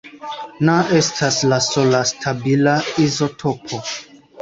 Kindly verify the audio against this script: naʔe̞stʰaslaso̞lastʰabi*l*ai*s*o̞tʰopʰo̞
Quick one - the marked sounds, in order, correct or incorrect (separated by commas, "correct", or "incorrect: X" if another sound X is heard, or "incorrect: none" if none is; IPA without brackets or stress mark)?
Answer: correct, incorrect: z